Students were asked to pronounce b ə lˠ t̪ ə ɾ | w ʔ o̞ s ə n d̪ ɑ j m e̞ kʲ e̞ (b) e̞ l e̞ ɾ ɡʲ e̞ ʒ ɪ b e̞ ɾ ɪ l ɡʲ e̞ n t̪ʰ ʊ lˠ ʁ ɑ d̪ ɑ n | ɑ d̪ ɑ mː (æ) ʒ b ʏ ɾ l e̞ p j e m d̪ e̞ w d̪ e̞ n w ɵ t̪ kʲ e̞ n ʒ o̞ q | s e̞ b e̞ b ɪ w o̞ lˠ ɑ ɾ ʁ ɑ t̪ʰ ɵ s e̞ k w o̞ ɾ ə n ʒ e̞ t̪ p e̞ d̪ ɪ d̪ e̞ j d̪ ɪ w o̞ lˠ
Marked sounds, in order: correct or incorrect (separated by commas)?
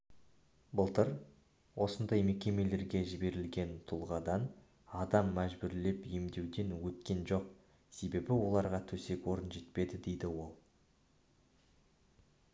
incorrect, correct